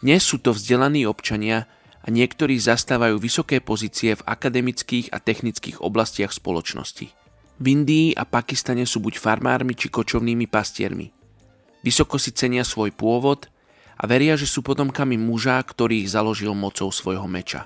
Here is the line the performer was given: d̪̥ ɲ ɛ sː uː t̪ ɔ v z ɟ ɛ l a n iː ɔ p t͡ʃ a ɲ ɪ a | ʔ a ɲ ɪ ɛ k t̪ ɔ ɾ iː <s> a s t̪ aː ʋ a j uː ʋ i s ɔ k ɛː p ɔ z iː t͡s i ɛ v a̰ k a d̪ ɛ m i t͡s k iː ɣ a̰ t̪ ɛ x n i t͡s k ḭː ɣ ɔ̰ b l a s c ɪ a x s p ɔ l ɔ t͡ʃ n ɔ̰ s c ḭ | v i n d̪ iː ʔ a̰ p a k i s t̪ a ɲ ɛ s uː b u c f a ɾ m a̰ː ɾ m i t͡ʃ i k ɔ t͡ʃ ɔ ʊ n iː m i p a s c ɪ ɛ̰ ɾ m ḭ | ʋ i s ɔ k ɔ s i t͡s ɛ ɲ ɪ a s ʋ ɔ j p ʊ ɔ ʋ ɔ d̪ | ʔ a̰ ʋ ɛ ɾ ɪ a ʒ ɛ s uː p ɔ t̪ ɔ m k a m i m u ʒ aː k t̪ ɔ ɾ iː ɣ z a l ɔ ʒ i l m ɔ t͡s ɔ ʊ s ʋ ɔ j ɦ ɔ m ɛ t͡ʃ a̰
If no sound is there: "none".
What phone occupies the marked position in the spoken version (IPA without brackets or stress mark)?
z